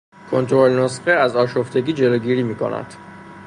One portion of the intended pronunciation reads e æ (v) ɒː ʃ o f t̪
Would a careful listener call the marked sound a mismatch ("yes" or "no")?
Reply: yes